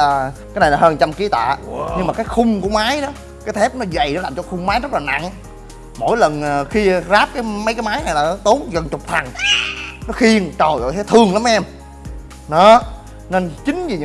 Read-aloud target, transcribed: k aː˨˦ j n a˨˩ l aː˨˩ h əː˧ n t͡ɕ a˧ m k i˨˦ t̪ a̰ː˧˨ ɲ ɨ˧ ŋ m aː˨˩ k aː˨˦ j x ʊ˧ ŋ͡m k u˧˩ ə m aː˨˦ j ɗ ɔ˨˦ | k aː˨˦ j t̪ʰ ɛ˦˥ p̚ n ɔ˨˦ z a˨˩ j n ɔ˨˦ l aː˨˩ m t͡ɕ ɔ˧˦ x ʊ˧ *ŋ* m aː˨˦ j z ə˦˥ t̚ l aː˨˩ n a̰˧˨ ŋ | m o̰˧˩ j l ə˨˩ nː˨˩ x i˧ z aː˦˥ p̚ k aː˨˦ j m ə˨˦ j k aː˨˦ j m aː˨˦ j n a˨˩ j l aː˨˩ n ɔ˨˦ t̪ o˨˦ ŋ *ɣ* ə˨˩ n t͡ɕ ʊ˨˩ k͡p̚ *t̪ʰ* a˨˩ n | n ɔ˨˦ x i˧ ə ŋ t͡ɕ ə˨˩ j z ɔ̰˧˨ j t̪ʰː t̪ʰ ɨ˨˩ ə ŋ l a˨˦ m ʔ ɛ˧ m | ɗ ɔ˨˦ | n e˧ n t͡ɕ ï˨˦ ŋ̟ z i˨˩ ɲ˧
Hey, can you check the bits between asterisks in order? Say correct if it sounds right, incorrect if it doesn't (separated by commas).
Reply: incorrect, correct, correct